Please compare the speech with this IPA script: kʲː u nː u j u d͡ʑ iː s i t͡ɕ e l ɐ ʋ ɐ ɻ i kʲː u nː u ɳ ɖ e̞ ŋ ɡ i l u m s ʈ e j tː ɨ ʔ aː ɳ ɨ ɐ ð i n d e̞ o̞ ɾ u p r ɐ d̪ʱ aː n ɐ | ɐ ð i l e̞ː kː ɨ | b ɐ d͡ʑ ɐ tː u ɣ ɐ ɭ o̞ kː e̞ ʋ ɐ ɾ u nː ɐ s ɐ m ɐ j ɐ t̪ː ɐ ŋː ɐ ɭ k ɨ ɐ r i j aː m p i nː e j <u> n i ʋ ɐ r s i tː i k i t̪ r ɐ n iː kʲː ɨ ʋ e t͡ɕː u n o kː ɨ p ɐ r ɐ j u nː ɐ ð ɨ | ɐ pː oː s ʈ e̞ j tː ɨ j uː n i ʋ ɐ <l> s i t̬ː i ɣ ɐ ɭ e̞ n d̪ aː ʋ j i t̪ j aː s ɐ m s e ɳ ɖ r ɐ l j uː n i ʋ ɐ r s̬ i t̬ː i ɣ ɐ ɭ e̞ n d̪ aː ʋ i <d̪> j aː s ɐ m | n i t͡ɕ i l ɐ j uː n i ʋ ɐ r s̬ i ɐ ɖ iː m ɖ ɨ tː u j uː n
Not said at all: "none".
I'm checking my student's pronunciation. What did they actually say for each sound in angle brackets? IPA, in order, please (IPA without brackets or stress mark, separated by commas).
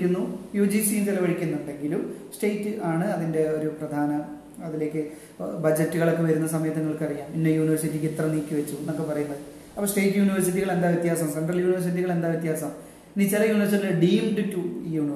uː, r, t̪